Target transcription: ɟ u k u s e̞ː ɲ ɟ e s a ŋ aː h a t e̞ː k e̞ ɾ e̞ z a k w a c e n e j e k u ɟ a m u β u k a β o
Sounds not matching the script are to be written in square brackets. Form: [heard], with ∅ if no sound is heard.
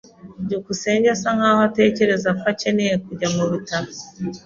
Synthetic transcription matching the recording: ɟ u k u s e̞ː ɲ ɟ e s a ŋ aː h a t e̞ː [c] e̞ ɾ e̞ z a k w a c e n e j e k u ɟ a m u β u [t] a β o